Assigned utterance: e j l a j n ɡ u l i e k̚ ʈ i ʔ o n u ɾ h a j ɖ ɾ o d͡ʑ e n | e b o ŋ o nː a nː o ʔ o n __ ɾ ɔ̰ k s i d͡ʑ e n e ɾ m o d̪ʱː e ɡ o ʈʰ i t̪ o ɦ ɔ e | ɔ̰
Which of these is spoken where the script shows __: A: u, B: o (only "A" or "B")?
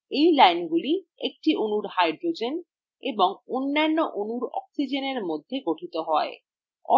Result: A